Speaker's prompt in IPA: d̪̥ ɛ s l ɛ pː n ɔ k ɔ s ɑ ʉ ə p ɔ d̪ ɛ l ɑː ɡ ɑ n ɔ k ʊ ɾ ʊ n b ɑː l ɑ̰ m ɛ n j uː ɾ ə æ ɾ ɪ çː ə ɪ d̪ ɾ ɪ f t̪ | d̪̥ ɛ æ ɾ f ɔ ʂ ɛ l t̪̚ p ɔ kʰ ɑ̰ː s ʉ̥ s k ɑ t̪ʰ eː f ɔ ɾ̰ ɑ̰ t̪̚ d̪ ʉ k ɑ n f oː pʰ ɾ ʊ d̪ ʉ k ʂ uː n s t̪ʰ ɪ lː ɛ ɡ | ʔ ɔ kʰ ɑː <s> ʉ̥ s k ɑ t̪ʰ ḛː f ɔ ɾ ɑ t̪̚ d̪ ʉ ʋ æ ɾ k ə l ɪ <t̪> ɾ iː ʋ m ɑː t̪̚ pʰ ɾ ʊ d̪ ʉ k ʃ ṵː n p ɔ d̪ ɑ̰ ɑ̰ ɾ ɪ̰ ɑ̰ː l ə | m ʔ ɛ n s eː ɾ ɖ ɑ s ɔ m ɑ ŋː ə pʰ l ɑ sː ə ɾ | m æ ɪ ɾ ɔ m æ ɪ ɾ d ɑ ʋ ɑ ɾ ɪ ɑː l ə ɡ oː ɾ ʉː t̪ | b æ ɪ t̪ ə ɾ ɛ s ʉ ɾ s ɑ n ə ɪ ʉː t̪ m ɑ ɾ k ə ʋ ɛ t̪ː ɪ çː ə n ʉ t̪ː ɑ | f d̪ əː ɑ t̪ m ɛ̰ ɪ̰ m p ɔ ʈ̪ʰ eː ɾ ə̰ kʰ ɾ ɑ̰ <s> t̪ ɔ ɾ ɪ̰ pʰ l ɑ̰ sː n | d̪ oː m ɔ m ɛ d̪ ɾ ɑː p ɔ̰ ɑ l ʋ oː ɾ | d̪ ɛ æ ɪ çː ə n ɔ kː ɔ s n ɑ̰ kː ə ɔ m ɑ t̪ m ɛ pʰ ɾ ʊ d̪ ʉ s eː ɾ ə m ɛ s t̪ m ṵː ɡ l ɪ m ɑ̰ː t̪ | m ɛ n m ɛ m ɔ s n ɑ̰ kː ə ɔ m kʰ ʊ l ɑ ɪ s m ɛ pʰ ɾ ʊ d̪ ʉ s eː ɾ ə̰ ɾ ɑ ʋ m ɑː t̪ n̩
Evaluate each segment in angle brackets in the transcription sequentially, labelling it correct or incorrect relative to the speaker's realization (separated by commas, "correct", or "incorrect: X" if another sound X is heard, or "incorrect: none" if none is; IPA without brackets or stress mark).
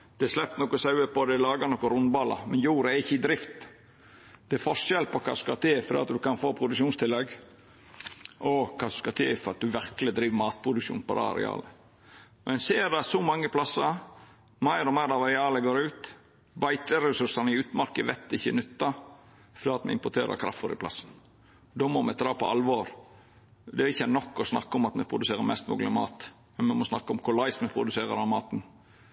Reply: correct, incorrect: d̪, incorrect: f